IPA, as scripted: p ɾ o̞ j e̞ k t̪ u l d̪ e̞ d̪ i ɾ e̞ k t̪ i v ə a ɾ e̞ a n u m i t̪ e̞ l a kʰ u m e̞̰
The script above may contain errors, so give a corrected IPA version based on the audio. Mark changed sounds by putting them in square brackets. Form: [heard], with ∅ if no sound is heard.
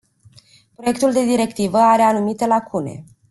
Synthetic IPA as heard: p ɾ o̞ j e̞ k t̪ u l d̪ e̞ d̪ i ɾ e̞ k t̪ i v ə a ɾ e̞ a n u m i t̪ e̞ l a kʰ u [n] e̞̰

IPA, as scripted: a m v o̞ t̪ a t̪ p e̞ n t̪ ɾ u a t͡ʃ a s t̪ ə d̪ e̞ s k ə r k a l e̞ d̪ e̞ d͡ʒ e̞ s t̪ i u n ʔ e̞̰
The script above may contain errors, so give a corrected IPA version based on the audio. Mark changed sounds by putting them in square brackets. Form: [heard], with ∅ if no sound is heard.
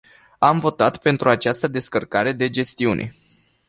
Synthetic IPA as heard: a m v o̞ t̪ a t̪ p e̞ n t̪ ɾ u a t͡ʃ a s t̪ ə d̪ e̞ s k ə r k a [ɾ] e̞ d̪ e̞ d͡ʒ e̞ s t̪ i u n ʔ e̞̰

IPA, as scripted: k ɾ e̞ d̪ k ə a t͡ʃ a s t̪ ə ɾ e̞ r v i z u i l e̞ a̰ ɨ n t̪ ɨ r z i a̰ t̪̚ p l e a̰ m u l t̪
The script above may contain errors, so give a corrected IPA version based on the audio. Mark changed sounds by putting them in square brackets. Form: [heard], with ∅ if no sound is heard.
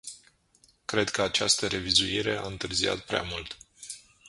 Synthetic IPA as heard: k ɾ e̞ d̪ k ə a t͡ʃ a s t̪ ə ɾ e̞ [∅] v i z u i [ɾ] e̞ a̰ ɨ n t̪ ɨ r z i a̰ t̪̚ p [ɾ] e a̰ m u l t̪

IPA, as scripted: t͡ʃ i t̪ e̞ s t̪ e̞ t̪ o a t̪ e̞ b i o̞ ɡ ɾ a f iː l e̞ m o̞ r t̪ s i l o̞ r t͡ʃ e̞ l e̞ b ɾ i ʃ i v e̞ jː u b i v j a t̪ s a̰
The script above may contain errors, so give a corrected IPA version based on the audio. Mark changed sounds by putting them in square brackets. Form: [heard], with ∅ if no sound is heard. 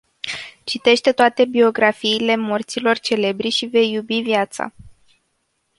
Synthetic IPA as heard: t͡ʃ i t̪ e̞ [ʃ] t̪ e̞ t̪ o a t̪ e̞ b i o̞ ɡ ɾ a f iː l e̞ m o̞ r t̪ s i l o̞ r t͡ʃ e̞ l e̞ b ɾ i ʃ i v e̞ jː u b i v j a t̪ s a̰

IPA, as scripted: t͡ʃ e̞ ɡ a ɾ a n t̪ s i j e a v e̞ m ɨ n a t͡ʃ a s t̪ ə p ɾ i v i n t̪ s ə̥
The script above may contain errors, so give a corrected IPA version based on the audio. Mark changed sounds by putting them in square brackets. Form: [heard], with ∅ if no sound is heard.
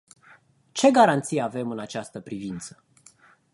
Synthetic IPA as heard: t͡ʃ e̞ ɡ a ɾ a n t̪ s i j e a v e̞ m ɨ n a t͡ʃ a s t̪ ə p ɾ i v i n t̪ s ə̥

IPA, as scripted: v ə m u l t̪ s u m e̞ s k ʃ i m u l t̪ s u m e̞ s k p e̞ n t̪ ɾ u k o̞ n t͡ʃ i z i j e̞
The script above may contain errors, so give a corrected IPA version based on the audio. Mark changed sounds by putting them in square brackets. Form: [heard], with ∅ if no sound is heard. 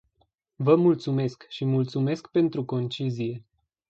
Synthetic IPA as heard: v ə m u l t̪ s u m e̞ s k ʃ i m u l t̪ s u m e̞ s k p e̞ n t̪ ɾ u k o̞ n t͡ʃ i z i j e̞

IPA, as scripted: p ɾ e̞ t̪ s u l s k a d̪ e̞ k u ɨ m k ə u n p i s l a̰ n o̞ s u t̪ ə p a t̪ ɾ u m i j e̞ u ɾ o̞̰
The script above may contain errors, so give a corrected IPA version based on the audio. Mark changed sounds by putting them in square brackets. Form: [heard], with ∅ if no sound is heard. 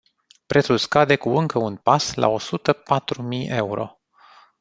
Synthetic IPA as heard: p ɾ e̞ t̪ s u l s k a d̪ e̞ k u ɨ [ŋ] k ə u n p [a] s l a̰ [∅] o̞ s u t̪ ə p a t̪ ɾ u m i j e̞ u ɾ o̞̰

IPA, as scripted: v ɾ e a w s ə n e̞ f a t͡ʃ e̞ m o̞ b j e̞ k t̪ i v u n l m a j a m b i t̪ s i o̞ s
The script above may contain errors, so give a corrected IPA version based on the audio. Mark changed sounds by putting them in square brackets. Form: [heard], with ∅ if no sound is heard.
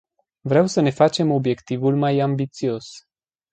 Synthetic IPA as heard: v ɾ e a w s ə n e̞ f a t͡ʃ e̞ m o̞ b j e̞ k t̪ i v u [∅] l m a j a m b i t̪ s i o̞ s

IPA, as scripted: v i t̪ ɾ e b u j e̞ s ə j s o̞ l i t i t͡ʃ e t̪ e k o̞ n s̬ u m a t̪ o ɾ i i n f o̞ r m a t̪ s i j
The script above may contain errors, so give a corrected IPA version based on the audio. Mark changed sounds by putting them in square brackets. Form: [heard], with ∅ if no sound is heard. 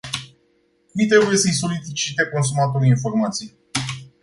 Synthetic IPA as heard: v i t̪ ɾ e b u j e̞ s ə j s o̞ l i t i t͡ʃ [i] t̪ e k o̞ n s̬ u m a t̪ o ɾ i i n f o̞ r m a t̪ s i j

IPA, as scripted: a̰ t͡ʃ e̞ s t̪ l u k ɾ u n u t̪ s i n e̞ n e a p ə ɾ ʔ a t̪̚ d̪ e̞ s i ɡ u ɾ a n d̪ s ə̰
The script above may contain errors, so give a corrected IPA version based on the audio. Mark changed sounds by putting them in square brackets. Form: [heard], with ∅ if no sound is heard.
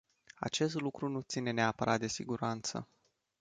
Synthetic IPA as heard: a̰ t͡ʃ e̞ s t̪ l u k ɾ u n u t̪ s i n e̞ n e a p ə ɾ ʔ a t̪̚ d̪ e̞ s i ɡ u ɾ a n [t̪] s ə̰

